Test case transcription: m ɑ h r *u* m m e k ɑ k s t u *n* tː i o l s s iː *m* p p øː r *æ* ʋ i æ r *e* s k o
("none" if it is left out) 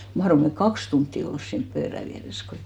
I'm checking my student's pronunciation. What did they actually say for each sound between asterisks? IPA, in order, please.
o, n, n, æ, e

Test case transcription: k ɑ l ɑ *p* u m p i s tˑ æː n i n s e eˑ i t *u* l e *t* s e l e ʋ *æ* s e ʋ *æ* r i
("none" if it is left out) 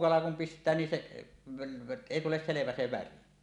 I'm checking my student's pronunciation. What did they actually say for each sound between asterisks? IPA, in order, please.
k, u, s, æ, æ

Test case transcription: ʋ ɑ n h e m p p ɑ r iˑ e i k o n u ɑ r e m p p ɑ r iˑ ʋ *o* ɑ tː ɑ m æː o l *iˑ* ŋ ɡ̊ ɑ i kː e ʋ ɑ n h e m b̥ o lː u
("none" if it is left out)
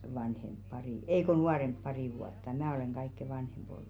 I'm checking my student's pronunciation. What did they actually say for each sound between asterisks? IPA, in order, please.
u, eˑ

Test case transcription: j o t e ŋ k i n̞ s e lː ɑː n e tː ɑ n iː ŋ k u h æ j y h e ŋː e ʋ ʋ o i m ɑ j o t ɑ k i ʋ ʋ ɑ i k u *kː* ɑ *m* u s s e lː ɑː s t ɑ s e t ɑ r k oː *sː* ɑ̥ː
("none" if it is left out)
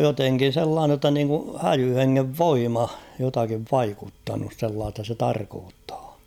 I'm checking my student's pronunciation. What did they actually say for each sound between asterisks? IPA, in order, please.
tː, n, tː

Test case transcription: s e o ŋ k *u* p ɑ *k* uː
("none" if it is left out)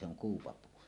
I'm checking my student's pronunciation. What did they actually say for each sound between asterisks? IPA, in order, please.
uː, p

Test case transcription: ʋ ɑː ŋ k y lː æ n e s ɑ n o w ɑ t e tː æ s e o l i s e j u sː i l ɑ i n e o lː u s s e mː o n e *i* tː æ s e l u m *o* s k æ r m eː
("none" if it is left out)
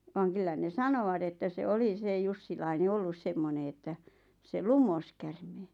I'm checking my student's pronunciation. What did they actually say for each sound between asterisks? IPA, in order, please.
e, o

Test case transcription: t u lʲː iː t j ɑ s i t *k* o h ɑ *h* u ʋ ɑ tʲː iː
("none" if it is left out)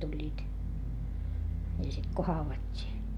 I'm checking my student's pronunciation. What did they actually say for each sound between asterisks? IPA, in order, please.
k, none

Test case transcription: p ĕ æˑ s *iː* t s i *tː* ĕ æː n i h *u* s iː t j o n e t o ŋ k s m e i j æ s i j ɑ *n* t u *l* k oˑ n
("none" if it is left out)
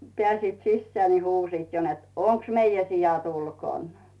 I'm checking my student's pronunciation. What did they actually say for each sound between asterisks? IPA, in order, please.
iː, sː, uː, none, l

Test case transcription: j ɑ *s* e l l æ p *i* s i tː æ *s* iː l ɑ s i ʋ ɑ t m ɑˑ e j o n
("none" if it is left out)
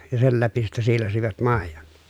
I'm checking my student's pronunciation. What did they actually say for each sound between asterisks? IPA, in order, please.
s, i, s

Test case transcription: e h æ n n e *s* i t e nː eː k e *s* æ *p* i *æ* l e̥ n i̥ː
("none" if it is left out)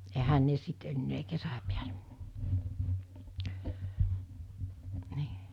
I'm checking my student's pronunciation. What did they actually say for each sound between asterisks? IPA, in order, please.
s, s, p, æ

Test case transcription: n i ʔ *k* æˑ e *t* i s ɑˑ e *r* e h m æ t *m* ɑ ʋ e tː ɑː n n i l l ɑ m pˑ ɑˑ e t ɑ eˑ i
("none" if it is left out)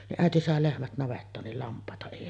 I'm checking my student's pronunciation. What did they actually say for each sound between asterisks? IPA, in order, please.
ʔ, t, l, n

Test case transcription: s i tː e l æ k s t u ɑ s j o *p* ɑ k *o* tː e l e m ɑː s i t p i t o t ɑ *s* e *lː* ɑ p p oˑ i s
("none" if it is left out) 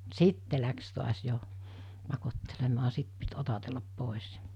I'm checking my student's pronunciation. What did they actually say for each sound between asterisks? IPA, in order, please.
p, o, t, lː

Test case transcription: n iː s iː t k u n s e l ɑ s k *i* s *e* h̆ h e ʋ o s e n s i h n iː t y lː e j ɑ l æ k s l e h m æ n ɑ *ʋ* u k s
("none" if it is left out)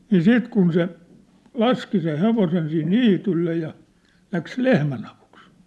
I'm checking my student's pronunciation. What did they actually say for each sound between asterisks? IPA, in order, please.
i, e, ʋ

